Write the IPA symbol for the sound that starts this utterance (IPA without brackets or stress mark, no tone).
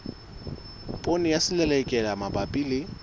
pʼ